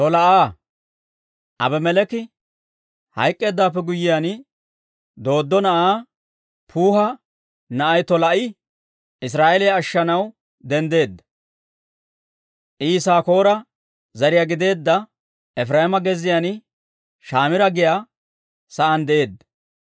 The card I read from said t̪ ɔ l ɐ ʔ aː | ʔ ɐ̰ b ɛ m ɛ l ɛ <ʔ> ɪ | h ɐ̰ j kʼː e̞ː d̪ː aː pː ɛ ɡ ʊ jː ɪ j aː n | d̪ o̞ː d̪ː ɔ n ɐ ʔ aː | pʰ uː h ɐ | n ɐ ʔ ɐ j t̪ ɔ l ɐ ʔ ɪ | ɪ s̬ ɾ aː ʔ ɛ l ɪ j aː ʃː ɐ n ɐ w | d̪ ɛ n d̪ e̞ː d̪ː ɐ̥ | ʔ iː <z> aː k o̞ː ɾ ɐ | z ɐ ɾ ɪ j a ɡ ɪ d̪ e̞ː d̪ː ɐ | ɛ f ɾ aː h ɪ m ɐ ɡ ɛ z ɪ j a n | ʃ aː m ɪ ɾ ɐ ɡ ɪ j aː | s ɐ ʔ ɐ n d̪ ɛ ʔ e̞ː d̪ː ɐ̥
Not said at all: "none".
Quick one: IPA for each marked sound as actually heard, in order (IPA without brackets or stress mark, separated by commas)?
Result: k, s